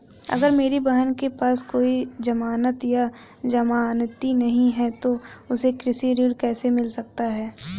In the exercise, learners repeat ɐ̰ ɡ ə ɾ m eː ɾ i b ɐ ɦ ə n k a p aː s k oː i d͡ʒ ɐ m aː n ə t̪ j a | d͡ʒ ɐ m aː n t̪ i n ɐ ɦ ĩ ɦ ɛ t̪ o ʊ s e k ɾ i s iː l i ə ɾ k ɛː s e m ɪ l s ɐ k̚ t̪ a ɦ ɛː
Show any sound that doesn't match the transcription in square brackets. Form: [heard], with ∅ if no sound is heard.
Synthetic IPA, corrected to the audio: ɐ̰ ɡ ə ɾ m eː ɾ i b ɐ ɦ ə n k [e] p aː s k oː i d͡ʒ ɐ m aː n ə t̪ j a | d͡ʒ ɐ m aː n t̪ i n ɐ ɦ ĩ ɦ ɛ t̪ o ʊ s e k ɾ [ɪ] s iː [ɾ] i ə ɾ k ɛː s e m ɪ l s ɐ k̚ t̪ a ɦ ɛː